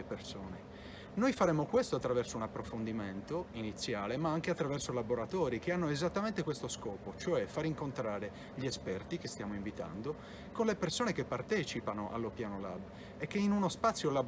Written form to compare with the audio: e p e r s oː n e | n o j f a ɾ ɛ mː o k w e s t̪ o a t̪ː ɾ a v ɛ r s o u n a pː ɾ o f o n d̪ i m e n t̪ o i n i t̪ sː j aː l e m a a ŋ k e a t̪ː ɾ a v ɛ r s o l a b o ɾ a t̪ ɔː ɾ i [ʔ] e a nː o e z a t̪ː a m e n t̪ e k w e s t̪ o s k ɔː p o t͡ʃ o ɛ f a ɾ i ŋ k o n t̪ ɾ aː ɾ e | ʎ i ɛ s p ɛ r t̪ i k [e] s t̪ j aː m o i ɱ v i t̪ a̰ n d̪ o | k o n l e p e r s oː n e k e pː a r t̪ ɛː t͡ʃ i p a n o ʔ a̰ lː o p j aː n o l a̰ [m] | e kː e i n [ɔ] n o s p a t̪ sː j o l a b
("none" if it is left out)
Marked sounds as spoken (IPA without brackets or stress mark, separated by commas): k, e, b, u